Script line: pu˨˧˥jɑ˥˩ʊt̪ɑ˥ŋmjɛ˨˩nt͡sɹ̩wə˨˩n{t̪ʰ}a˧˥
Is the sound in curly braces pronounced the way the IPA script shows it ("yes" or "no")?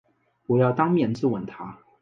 yes